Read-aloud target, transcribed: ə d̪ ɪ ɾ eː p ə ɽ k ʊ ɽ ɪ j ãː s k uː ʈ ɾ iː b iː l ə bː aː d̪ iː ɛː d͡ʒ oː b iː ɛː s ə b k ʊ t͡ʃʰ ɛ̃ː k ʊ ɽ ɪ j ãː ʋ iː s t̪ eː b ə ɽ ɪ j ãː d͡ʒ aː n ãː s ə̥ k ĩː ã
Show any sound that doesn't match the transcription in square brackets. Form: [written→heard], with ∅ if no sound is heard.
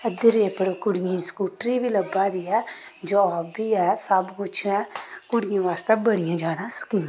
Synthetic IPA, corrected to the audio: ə d̪ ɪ ɾ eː p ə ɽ k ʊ ɽ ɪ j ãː s k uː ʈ ɾ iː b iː l ə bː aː d̪ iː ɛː d͡ʒ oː b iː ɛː s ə b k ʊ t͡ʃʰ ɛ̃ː k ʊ ɽ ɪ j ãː ʋ [iː→aː] s t̪ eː b ə ɽ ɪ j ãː d͡ʒ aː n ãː s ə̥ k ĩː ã